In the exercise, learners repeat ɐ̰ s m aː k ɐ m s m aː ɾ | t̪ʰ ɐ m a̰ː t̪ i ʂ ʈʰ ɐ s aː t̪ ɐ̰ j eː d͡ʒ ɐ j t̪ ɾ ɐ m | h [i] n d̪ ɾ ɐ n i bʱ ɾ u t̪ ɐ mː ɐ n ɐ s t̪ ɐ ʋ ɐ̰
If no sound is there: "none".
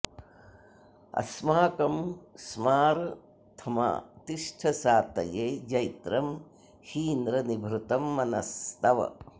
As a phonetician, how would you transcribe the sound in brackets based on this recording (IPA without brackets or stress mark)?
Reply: iː